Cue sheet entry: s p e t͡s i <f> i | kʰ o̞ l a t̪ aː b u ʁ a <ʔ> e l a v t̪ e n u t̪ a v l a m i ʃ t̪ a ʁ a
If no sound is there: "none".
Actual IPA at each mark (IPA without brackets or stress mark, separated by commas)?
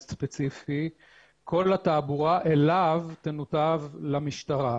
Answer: f, ʔ